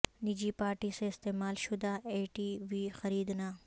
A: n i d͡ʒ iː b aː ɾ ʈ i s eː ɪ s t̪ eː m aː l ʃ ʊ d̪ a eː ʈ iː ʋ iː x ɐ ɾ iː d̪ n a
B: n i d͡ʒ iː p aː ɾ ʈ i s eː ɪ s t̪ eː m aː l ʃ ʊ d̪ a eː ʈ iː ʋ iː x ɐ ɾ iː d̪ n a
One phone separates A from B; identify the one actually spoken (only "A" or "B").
B